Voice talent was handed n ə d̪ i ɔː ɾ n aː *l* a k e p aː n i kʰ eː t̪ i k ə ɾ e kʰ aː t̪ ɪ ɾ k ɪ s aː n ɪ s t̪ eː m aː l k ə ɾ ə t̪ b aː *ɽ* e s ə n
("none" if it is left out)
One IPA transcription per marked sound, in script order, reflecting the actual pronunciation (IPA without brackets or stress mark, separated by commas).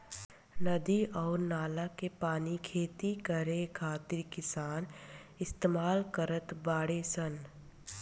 l, ɽ